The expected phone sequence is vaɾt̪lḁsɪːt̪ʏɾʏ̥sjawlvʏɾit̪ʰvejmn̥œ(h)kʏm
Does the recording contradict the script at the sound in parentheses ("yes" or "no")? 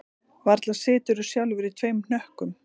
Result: no